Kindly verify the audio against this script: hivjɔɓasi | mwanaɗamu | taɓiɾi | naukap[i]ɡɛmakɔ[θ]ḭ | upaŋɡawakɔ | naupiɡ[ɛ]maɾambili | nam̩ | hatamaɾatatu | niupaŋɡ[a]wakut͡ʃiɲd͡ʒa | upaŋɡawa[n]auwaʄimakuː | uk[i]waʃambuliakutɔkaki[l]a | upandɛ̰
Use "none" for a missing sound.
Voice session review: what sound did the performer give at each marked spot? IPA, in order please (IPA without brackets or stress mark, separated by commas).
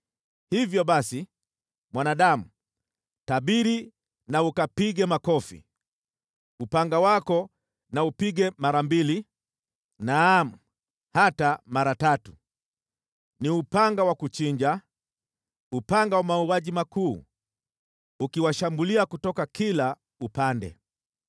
i, f, ɛ, a, m, i, l